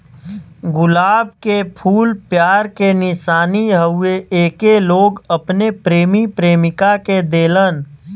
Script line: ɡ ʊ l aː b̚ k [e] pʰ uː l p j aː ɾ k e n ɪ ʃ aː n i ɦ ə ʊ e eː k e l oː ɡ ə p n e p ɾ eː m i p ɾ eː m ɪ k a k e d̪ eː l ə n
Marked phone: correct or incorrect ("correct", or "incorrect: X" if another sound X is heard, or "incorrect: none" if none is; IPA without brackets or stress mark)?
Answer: correct